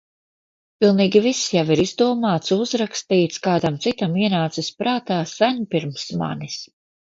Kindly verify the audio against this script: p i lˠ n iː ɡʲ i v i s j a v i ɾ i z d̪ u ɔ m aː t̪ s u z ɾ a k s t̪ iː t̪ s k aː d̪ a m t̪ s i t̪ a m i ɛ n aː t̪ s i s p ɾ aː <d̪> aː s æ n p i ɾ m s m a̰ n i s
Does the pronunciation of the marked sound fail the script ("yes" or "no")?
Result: yes